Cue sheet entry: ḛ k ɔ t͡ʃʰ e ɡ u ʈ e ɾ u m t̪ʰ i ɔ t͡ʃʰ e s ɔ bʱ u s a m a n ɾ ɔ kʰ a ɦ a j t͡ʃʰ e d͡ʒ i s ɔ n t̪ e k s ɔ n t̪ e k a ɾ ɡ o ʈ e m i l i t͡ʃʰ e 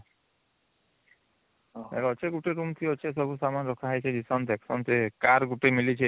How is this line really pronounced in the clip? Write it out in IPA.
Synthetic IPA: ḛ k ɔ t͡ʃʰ e ɡ u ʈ e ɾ u m t̪ʰ i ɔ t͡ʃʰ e s ɔ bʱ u s a m a n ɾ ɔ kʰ a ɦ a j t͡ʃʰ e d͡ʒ i s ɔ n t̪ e k s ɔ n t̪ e k a ɾ ɡ u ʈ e m i l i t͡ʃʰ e